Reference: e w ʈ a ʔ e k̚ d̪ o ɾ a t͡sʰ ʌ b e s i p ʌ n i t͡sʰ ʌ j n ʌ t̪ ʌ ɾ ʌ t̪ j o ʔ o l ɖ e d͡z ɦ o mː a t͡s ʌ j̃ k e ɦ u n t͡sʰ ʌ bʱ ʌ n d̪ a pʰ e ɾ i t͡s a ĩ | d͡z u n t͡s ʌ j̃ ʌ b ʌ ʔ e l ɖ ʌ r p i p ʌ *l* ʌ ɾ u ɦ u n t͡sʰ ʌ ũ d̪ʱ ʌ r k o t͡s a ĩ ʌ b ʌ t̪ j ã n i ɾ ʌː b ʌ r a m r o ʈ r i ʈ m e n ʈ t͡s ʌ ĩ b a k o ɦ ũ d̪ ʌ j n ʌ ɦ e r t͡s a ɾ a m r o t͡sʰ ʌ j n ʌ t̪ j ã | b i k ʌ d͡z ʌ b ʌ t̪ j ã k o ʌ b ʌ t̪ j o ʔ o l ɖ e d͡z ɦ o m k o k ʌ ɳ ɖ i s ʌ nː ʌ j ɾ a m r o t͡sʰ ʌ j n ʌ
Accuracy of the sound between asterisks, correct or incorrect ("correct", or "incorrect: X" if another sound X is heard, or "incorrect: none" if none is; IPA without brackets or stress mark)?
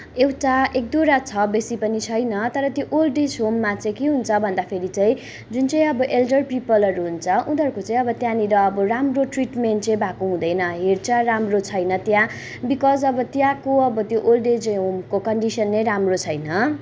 correct